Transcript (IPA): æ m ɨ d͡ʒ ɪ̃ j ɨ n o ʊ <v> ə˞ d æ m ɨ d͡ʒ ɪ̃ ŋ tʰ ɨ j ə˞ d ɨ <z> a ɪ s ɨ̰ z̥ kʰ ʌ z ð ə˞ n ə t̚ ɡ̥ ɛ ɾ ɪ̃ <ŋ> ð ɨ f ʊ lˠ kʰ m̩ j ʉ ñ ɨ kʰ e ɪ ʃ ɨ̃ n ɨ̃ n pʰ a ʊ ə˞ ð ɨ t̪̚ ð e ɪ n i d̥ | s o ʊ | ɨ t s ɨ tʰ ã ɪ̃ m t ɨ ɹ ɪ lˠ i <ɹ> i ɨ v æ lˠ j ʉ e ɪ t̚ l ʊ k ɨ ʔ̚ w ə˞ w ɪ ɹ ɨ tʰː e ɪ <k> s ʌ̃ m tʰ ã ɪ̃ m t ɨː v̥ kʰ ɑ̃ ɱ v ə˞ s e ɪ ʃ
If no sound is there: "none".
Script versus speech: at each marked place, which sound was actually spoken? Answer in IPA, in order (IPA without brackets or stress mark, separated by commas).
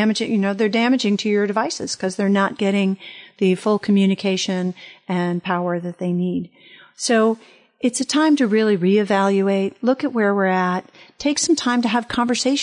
ð, v, ŋ, ɹ, k